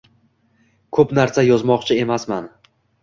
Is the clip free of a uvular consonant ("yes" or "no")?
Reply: no